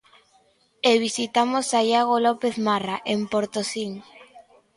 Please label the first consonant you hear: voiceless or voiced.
voiced